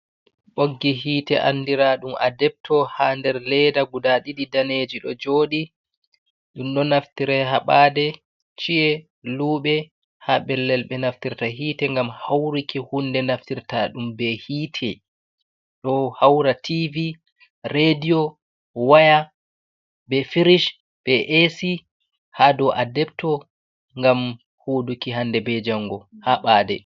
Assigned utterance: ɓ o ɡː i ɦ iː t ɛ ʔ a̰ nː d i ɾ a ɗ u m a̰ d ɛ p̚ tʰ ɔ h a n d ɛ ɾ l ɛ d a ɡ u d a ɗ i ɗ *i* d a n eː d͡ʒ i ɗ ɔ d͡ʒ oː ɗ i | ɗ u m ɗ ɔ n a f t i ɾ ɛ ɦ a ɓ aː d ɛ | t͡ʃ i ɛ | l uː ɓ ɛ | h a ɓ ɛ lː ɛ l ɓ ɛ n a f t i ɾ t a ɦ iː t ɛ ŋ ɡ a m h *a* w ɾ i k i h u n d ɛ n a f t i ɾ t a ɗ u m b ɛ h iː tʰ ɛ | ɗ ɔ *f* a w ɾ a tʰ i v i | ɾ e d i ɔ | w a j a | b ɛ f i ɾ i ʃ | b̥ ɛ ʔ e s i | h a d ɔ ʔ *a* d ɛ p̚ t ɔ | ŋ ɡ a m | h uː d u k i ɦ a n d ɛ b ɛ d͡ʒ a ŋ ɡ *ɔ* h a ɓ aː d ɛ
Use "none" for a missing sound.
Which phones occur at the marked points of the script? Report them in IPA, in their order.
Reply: i, a, h, a, ɔ

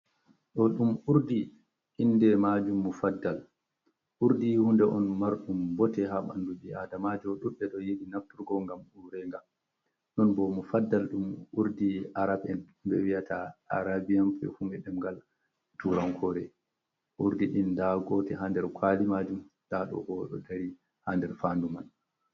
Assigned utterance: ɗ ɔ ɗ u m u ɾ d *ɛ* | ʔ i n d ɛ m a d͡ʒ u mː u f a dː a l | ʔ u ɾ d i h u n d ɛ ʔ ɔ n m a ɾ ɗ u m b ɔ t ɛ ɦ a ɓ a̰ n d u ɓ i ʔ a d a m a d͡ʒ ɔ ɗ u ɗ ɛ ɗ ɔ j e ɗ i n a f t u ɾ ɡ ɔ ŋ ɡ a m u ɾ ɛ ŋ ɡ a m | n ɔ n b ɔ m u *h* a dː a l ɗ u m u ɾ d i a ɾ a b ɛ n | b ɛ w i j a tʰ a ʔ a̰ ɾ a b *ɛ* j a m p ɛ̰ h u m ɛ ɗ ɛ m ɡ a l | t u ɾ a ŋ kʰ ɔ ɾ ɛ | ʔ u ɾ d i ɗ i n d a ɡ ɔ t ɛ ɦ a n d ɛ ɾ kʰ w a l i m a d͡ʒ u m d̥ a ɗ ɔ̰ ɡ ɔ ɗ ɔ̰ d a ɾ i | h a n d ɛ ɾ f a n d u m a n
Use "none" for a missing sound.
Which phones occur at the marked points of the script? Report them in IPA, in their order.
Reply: i, f, i

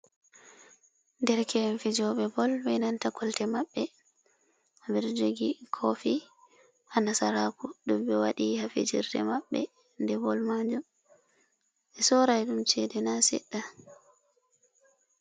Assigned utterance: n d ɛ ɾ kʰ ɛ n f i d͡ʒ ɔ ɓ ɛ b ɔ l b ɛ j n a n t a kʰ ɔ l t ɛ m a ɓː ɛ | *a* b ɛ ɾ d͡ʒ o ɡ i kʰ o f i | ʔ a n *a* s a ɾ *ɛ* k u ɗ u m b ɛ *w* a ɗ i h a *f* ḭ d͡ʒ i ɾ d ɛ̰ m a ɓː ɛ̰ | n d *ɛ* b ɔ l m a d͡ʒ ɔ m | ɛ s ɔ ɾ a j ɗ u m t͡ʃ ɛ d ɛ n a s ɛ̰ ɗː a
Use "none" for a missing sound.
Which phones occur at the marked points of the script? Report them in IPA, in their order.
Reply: a, a, a, w, f, ɛ

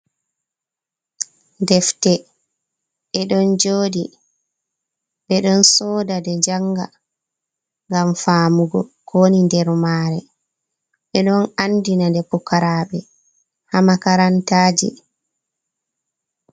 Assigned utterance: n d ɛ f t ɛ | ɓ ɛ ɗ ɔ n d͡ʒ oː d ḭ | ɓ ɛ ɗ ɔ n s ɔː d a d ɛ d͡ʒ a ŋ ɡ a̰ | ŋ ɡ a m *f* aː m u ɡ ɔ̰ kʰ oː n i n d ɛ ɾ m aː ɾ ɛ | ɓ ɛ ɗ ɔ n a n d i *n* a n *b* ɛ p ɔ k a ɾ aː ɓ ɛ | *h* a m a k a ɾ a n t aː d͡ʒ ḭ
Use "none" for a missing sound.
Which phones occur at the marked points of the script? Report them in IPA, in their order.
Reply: f, n, d, h

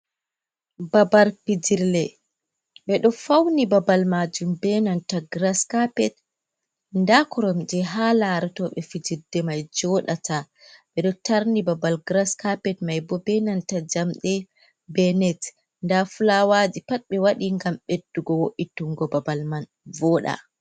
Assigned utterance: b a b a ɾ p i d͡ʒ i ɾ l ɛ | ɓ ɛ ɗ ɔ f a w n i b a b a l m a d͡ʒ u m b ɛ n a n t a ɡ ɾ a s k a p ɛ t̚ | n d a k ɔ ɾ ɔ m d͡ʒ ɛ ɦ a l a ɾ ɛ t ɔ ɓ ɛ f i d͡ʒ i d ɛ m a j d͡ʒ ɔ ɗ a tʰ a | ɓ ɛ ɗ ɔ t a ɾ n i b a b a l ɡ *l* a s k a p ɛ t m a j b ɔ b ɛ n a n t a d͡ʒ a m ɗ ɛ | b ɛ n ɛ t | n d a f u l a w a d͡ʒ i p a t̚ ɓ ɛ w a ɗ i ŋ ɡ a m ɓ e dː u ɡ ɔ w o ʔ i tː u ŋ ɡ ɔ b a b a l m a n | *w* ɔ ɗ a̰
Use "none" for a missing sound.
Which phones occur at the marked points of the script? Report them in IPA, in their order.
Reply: ɾ, v

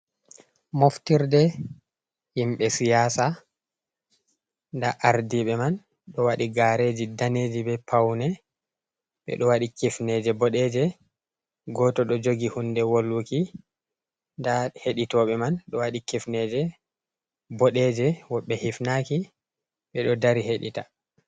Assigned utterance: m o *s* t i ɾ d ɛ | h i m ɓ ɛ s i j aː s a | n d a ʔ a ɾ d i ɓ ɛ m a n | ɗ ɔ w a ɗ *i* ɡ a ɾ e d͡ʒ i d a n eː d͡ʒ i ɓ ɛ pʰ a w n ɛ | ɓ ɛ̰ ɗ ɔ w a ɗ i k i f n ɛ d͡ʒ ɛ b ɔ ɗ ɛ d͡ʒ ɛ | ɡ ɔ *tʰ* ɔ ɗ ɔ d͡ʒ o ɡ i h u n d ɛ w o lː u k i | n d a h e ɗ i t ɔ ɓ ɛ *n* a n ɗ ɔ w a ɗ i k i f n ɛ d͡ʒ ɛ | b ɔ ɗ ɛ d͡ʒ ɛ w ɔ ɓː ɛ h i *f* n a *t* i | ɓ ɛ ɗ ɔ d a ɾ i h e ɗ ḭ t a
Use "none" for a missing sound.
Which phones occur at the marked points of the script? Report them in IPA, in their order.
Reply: f, i, t, m, f, k

